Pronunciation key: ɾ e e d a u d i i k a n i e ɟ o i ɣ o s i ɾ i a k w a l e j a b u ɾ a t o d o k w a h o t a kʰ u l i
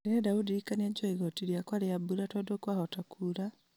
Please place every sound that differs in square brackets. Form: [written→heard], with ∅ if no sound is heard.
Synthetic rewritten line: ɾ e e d a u d i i k a n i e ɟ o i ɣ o [s→t] i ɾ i a k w a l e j a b u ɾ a t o d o k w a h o t a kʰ u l [i→a]